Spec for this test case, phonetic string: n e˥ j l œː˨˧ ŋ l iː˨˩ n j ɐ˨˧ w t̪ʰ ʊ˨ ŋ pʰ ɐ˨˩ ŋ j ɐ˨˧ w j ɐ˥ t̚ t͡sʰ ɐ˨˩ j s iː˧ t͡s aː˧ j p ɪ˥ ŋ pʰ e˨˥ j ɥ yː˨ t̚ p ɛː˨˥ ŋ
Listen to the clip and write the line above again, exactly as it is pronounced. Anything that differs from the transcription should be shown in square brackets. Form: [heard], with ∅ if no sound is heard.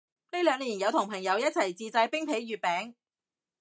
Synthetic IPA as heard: n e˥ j l œː˨˧ ŋ l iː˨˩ n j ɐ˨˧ w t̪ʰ ʊ˨ ŋ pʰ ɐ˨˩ ŋ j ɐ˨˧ w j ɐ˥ t̚ t͡sʰ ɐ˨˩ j [t͡s] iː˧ t͡s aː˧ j p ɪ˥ ŋ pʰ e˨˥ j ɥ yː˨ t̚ p ɛː˨˥ ŋ